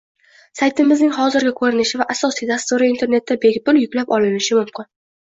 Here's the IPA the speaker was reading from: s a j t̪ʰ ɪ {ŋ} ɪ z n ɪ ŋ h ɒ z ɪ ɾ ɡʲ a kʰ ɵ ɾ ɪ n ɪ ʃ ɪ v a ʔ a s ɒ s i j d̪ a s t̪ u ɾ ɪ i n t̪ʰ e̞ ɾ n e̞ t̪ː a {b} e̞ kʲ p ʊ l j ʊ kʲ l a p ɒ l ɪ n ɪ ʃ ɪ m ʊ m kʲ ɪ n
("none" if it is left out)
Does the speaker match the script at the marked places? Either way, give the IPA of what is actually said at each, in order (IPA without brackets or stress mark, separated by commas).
m, b